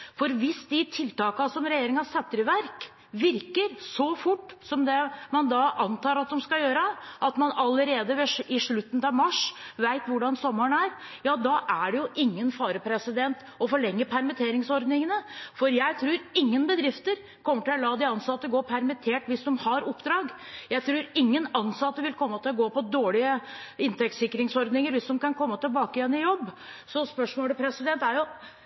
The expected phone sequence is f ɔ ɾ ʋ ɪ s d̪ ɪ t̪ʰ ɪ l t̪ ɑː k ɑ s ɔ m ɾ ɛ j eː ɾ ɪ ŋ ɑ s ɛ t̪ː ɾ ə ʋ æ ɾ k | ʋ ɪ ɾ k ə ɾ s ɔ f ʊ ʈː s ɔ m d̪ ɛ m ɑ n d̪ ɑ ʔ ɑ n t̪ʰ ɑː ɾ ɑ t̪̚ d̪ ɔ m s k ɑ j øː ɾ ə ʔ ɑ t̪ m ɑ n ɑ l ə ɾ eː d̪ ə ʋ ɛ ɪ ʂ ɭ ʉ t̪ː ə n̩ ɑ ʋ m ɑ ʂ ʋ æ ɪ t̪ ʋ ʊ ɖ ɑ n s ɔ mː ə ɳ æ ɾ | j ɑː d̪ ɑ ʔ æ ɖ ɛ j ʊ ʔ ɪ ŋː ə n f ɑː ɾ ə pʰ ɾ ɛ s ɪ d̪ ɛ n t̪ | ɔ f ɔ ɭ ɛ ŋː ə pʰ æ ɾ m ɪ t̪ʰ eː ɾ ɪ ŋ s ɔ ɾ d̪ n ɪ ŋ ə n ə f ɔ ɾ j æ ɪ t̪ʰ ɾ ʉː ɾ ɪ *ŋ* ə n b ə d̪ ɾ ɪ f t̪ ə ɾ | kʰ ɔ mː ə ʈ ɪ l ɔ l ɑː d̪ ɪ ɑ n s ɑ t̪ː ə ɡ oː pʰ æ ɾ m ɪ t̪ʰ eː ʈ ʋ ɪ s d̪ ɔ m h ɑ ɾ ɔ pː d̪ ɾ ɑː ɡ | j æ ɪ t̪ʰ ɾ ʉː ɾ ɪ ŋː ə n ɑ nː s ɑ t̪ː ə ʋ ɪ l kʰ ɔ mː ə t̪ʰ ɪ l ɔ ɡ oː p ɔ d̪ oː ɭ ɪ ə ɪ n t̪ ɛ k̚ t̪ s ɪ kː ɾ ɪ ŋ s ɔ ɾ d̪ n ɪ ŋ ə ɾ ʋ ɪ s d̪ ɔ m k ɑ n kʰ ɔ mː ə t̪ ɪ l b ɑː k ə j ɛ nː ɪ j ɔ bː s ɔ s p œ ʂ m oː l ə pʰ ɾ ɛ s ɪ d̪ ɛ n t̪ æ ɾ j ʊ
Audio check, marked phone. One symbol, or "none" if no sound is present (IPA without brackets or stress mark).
ŋː